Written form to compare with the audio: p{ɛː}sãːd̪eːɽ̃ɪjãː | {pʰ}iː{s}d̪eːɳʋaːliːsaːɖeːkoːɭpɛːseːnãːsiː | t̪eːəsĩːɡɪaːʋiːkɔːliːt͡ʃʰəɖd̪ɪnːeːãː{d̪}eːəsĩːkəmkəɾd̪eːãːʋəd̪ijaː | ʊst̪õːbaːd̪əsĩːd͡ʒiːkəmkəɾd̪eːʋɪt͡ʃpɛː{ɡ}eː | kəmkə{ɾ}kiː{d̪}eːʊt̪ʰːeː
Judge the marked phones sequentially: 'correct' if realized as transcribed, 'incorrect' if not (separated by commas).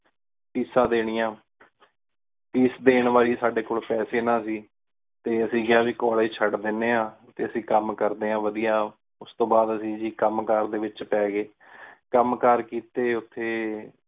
incorrect, incorrect, correct, incorrect, correct, correct, incorrect